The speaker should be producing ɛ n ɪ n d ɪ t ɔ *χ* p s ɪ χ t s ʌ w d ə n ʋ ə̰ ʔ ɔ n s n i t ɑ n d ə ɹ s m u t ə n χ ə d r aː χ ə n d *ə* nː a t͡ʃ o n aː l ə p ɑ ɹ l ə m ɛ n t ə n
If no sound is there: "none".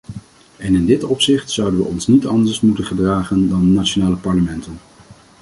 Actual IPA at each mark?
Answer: none, ɑ

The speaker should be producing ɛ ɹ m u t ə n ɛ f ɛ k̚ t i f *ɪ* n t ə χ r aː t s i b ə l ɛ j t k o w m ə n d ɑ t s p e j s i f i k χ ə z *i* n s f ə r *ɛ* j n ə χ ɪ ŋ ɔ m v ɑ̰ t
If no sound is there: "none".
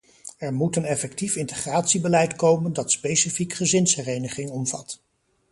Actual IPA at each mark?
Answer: ɪ, ɪ, e

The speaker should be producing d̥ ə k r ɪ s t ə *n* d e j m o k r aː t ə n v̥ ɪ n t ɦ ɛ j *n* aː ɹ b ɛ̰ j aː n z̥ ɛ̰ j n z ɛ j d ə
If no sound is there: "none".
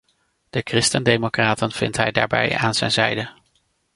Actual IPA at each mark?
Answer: n, d

